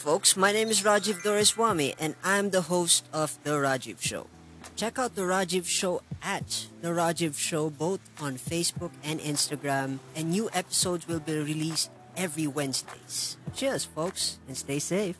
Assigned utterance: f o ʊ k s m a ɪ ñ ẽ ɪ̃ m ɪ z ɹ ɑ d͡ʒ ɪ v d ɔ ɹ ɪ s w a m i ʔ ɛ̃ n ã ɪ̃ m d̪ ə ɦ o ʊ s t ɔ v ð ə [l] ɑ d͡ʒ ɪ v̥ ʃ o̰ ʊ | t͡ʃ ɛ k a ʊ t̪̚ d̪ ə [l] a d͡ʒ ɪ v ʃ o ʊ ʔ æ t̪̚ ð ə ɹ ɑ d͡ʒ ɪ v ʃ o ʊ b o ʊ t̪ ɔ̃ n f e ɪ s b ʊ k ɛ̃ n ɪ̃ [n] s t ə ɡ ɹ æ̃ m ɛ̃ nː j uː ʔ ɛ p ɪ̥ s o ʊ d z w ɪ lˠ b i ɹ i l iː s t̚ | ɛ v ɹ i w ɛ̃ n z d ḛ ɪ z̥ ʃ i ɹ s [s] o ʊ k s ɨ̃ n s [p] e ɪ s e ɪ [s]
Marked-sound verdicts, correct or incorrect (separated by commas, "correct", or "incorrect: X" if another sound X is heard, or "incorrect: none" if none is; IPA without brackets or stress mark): incorrect: ɹ, incorrect: ɹ, correct, incorrect: f, incorrect: t, incorrect: f